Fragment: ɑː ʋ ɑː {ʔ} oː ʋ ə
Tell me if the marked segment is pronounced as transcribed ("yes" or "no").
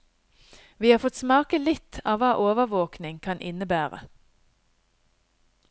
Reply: yes